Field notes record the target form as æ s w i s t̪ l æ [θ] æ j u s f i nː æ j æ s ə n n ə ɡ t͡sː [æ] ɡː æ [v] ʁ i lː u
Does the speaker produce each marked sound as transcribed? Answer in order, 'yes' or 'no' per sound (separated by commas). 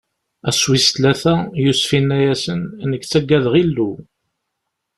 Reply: yes, yes, no